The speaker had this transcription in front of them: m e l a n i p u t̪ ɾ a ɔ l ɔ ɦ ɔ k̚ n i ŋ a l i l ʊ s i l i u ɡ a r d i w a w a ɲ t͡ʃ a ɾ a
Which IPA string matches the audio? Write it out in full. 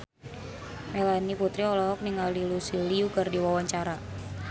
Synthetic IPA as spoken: m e l a n i p u t̪ ɾ i ɔ l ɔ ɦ ɔ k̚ n i ŋ a l i l u s i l i u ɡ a r d i w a w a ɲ t͡ʃ a ɾ a